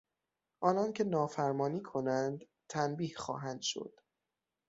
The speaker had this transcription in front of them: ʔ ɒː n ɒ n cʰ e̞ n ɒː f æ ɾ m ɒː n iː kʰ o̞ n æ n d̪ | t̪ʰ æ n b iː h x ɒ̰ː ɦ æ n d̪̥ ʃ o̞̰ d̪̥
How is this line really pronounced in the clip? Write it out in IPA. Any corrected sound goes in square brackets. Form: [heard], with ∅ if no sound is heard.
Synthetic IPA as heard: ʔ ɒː n ɒ n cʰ e̞ n ɒː f æ ɾ m ɒː n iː kʰ o̞ n æ n d̪ | t̪ʰ æ n b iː h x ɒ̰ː ɦ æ n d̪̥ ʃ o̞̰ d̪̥